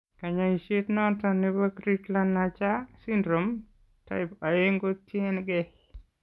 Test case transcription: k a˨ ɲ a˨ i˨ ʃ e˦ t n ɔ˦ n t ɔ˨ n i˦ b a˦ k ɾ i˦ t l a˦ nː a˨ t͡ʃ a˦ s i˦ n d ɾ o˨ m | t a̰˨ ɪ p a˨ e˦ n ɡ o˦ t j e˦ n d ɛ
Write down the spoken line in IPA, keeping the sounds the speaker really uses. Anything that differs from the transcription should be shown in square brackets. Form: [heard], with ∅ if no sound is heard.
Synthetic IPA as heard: k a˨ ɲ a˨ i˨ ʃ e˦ t n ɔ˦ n t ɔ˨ n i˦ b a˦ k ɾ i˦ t l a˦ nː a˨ t͡ʃ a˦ s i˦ n d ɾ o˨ m | t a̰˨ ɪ p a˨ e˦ [ŋ] ɡ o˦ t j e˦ n [ɡ] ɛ